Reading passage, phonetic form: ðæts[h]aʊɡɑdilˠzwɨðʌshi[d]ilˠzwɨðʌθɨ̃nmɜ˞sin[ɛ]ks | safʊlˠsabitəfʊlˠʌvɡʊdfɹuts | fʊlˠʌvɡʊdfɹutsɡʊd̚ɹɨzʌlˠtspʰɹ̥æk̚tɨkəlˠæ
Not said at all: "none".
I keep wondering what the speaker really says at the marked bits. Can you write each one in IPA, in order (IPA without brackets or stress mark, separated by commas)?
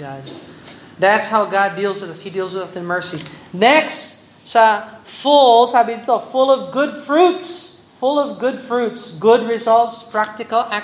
h, d, ɛ